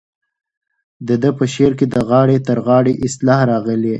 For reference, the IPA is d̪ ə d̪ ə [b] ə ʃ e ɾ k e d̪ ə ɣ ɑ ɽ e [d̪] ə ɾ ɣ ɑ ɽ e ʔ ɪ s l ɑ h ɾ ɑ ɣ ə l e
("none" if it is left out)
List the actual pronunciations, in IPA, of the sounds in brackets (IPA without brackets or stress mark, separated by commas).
p, t̪